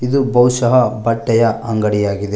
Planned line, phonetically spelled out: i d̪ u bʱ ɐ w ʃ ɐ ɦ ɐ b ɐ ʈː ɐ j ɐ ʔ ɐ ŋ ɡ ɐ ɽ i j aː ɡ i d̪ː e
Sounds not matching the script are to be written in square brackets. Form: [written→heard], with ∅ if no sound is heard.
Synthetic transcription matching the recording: i d̪ u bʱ ɐ w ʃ ɐ ɦ ɐ b ɐ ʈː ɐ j ɐ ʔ ɐ ŋ ɡ ɐ ɽ i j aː ɡ i [d̪ː→d̪] e